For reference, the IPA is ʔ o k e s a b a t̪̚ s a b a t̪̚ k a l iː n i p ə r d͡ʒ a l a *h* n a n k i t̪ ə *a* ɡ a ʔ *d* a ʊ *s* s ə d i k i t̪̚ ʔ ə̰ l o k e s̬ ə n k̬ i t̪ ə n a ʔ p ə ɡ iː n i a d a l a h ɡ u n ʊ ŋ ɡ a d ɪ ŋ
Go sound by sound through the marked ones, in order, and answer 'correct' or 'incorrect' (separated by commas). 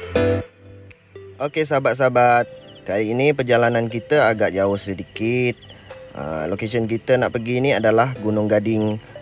incorrect, correct, incorrect, incorrect